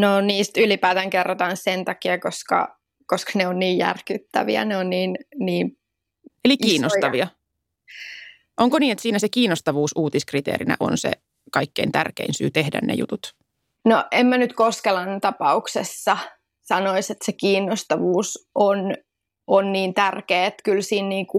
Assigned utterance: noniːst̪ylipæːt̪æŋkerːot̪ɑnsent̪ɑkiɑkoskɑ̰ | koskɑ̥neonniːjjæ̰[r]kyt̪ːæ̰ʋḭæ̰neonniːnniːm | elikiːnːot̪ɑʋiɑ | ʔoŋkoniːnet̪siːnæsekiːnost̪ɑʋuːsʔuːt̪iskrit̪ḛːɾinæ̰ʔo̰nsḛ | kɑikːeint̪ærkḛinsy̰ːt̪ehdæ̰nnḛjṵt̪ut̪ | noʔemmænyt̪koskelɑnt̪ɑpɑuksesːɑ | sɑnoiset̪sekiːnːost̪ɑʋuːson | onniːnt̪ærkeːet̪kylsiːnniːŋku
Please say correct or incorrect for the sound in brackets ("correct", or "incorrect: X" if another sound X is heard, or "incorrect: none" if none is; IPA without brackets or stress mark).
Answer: correct